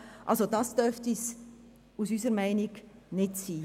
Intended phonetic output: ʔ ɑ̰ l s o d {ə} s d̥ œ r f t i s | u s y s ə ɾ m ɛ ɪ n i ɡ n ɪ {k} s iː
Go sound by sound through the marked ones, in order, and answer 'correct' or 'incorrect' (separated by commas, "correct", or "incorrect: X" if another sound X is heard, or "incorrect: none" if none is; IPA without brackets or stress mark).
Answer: incorrect: ɑ, incorrect: t